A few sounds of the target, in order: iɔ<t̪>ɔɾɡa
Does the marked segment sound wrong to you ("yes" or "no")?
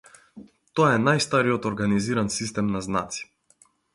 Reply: no